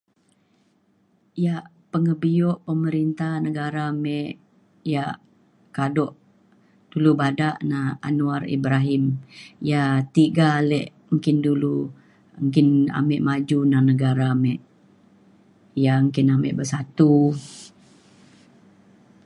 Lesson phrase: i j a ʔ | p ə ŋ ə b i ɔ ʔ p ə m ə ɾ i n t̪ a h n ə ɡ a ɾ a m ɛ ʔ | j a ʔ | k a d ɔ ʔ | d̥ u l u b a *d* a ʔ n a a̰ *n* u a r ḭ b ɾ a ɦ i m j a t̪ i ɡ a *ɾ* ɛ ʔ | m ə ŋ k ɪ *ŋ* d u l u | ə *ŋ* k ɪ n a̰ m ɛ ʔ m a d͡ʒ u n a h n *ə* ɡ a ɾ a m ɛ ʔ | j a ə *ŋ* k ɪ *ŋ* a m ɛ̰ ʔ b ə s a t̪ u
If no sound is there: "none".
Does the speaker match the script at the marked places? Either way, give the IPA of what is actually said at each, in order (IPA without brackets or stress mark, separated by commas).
d, n, l, n, ŋ, ə, ŋ, n